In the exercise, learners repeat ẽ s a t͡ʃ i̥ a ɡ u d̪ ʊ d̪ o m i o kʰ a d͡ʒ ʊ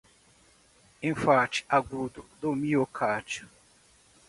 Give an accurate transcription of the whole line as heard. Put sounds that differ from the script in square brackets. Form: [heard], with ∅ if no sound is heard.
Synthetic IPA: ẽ [f] a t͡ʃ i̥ a ɡ u d̪ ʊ d̪ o m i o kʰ a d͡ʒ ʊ